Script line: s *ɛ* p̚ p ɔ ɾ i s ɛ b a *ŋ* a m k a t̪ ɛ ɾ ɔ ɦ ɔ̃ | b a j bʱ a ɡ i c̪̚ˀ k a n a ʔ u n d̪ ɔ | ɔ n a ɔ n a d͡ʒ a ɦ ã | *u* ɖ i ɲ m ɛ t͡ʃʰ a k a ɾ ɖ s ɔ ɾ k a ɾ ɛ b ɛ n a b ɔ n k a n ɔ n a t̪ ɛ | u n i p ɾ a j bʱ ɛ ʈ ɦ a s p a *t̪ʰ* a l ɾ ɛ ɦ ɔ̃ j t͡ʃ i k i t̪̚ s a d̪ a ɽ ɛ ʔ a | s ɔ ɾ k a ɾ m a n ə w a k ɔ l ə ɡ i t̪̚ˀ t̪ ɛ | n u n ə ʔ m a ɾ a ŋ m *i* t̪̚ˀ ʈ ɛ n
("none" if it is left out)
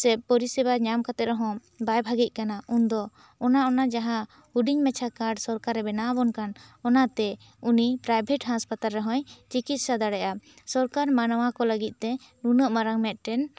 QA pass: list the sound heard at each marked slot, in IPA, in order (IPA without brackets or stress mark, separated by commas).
ɛ, ɲ, u, t̪, ɛ